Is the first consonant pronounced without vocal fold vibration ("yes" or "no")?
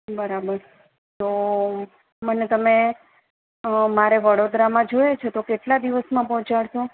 no